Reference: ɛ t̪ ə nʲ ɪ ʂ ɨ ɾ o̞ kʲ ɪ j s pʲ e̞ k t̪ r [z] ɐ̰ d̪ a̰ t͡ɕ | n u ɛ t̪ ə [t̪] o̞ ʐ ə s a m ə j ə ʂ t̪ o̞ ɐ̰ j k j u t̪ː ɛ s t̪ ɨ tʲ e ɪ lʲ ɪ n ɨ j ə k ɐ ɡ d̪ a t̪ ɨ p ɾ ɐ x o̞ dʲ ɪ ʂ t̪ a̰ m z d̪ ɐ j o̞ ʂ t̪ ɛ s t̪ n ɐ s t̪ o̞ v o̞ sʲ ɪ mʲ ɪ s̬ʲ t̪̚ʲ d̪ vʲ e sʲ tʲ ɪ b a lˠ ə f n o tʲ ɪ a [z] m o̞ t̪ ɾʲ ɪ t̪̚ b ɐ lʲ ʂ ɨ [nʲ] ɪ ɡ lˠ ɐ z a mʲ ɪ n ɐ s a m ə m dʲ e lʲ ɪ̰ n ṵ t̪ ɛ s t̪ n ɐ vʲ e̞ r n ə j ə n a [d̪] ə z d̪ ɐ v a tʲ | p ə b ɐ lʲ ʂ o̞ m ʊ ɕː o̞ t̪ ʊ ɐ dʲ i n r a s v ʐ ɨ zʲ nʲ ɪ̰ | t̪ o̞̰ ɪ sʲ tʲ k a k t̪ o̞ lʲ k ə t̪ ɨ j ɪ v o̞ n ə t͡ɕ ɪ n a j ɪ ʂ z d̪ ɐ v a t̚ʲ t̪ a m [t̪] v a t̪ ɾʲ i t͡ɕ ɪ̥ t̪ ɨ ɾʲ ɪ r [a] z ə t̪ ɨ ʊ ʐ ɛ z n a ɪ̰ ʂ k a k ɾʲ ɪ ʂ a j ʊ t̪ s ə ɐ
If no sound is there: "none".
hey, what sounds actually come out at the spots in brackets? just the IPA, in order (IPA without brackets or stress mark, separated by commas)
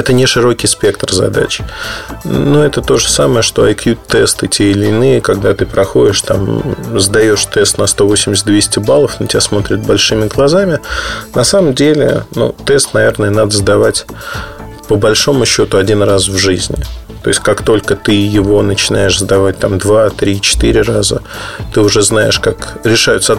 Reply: z, t̪, s, mʲ, d̪, d̪, a